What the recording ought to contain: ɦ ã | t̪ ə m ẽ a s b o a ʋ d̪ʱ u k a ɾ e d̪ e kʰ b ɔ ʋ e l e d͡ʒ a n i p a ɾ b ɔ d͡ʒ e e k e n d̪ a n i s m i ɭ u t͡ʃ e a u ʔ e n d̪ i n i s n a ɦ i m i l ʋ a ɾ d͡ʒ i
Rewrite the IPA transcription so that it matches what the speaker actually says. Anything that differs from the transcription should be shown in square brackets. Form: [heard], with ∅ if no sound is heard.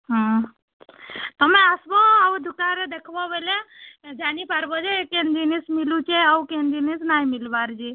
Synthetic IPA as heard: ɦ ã | t̪ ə m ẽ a s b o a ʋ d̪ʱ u k a ɾ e d̪ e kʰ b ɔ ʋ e l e d͡ʒ a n i p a ɾ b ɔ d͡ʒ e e k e n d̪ [i] n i s m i [l] u t͡ʃ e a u [k] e n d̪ i n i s n a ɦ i m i l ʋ a ɾ d͡ʒ i